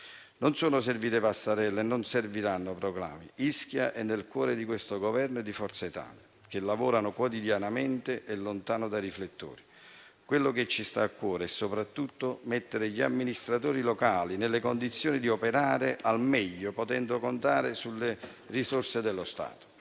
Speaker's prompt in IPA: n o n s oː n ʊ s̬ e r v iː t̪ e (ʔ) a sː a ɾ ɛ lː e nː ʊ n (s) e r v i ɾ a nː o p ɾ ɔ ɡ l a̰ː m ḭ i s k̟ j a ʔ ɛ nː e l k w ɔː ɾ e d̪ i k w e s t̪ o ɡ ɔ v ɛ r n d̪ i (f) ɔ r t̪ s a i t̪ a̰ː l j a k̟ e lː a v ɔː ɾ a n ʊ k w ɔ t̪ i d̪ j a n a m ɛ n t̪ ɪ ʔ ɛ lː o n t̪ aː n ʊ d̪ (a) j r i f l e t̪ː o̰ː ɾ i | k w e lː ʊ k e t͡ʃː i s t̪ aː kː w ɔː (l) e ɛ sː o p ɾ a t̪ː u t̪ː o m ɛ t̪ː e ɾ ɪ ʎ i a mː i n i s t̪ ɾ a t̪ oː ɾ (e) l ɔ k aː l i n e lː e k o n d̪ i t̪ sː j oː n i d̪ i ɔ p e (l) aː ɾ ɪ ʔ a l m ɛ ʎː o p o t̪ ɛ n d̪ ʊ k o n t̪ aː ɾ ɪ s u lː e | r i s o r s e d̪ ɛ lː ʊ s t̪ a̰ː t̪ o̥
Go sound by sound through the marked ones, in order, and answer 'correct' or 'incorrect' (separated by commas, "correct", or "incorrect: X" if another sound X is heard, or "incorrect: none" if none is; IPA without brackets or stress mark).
incorrect: p, correct, correct, correct, incorrect: ɾ, incorrect: i, incorrect: ɾ